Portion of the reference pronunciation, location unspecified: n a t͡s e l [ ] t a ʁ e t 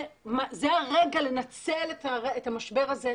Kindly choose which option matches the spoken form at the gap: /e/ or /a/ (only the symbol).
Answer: e